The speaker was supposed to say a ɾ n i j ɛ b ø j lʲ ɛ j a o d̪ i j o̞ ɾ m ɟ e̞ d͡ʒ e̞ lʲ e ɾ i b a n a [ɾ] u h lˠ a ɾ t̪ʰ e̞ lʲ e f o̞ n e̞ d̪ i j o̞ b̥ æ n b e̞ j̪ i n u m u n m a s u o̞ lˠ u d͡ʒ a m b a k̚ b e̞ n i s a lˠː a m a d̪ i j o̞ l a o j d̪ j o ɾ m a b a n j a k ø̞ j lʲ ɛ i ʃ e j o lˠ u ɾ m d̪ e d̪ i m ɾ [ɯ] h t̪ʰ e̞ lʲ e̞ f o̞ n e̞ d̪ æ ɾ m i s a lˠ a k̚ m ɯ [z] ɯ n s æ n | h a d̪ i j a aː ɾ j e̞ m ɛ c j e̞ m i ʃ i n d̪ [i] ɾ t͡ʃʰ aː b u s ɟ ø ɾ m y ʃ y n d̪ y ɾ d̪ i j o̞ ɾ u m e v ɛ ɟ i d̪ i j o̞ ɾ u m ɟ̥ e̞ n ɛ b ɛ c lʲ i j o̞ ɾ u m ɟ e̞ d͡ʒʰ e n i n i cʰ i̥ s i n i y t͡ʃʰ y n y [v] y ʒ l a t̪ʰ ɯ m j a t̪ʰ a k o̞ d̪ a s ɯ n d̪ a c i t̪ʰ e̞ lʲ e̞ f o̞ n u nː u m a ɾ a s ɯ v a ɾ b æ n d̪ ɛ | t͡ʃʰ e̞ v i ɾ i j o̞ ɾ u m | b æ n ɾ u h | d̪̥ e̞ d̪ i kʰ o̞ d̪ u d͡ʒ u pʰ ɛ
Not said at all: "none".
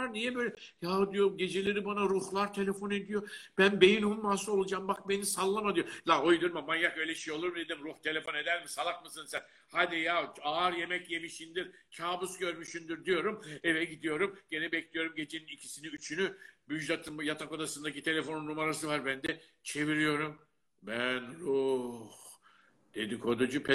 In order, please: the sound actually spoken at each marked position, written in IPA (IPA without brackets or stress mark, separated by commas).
ɾ, u, s, i, b